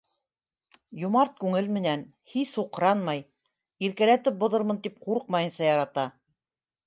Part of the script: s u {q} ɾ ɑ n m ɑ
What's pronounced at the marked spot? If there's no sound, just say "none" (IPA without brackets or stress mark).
q